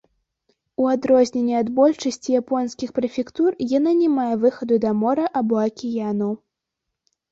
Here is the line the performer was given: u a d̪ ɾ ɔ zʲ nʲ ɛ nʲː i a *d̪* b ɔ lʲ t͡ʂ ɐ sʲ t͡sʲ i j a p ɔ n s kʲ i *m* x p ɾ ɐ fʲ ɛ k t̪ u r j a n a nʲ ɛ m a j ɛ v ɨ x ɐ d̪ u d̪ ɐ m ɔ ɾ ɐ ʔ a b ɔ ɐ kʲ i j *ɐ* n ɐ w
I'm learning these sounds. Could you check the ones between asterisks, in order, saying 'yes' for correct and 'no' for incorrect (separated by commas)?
yes, no, no